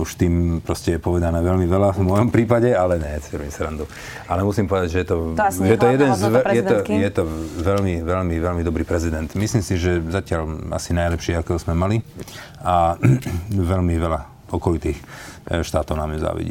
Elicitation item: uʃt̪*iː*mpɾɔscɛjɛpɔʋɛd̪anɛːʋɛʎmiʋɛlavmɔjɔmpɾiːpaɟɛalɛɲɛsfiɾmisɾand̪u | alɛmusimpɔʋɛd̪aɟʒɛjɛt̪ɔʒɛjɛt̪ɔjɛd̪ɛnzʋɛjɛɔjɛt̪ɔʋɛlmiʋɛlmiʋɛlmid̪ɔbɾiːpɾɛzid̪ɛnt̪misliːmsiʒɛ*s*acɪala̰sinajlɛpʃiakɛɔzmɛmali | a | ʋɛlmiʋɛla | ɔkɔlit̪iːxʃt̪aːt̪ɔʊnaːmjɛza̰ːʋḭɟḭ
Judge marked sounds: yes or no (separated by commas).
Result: yes, no